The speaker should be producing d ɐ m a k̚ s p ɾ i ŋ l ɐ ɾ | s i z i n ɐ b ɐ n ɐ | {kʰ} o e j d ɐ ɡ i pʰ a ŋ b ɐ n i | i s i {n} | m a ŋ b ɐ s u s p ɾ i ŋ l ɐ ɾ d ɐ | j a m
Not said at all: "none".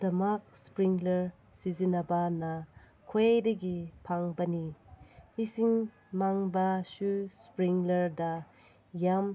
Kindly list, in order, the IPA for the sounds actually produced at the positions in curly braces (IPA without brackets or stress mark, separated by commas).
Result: kʰ, ŋ